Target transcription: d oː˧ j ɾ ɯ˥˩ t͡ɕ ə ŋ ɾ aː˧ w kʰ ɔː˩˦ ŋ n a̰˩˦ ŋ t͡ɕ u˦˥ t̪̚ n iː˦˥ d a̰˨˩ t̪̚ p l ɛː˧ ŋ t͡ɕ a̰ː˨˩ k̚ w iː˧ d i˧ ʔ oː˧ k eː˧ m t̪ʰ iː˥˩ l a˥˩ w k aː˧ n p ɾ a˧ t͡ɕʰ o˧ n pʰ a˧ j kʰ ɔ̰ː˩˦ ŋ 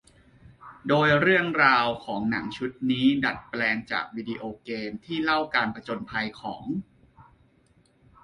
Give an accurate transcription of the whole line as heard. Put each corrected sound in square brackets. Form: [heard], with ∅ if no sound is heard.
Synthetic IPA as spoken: d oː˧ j ɾ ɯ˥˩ [∅] ə ŋ ɾ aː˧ w kʰ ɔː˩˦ ŋ n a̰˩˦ ŋ [t͡ɕʰ] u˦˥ t̪̚ n iː˦˥ d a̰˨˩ t̪̚ p l ɛː˧ ŋ t͡ɕ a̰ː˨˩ k̚ w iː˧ d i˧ ʔ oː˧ k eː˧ m t̪ʰ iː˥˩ l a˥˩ w k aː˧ n p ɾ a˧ [t͡ɕ] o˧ n pʰ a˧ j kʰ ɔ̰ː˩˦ ŋ